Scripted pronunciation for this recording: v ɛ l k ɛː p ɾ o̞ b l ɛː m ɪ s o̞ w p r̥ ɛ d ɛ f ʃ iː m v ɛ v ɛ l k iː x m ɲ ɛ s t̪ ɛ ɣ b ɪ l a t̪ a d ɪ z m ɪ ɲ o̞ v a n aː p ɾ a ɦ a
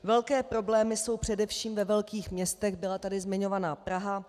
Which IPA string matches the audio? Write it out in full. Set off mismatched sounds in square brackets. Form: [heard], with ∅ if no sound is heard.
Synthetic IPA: v ɛ l k ɛː p ɾ o̞ b l ɛː m ɪ s o̞ w p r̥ ɛ d ɛ f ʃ iː m v ɛ v ɛ l k iː x m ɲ ɛ s t̪ ɛ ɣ b ɪ l a t̪ a d ɪ z m ɪ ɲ o̞ v a n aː p ɾ a ɦ a

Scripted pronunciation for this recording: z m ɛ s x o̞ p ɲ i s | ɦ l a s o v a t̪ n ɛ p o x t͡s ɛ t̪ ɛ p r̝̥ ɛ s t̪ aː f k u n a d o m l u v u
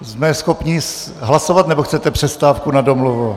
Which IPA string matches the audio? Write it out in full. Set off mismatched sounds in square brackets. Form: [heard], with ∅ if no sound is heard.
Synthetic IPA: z m ɛ s x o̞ p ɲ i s | ɦ l a s o v a t̪ n ɛ [b] o x t͡s ɛ t̪ ɛ p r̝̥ ɛ s t̪ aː f k u n a d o m l u v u

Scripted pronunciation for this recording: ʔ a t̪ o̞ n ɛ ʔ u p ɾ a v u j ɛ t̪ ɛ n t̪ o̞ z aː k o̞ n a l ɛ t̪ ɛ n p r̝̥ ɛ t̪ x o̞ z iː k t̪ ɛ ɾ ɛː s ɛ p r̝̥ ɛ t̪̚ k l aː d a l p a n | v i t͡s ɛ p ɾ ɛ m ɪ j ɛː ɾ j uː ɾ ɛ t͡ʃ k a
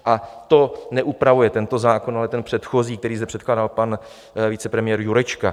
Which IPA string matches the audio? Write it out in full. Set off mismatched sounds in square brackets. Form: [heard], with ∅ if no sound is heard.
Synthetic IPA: ʔ a t̪ o̞ n ɛ ʔ u p ɾ a v u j ɛ t̪ ɛ n t̪ o̞ z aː k o̞ n a l ɛ t̪ ɛ n p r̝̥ ɛ t̪ x o̞ z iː k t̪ ɛ ɾ [iː] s ɛ p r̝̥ ɛ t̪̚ k l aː d a l p a n | v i t͡s ɛ p ɾ ɛ m ɪ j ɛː ɾ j [u] ɾ ɛ t͡ʃ k a

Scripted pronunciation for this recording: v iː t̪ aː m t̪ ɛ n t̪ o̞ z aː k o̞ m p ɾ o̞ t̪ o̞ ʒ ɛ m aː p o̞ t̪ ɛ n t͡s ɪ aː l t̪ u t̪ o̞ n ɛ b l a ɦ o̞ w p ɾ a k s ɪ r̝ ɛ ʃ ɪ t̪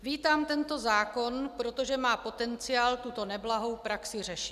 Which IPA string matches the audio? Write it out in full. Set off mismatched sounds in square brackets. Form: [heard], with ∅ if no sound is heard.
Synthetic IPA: v iː t̪ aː m t̪ ɛ n t̪ o̞ z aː k o̞ [n] p ɾ o̞ t̪ o̞ ʒ ɛ m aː p o̞ t̪ ɛ n t͡s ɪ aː l t̪ u t̪ o̞ n ɛ b l a ɦ o̞ w p ɾ a k s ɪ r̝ ɛ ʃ ɪ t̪

